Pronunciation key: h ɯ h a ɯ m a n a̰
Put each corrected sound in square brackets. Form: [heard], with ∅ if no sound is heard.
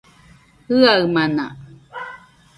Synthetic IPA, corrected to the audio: h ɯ [∅] a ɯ m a n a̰